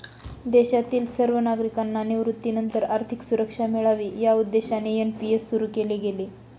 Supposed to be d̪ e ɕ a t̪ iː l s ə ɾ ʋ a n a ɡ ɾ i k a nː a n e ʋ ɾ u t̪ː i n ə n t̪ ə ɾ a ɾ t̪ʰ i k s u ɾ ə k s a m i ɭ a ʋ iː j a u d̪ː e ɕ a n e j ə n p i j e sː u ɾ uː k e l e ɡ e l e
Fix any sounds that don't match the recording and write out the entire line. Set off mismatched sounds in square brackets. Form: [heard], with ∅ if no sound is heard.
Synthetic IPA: d̪ e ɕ a t̪ iː l s ə ɾ ʋ [ə] n a ɡ ɾ i k a nː a n e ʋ ɾ u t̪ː i n ə n t̪ ə ɾ a ɾ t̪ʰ i k s u ɾ ə k [ʂ] a m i ɭ a ʋ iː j a u d̪ː e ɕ a n e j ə n p i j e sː u ɾ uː k e l e ɡ e l e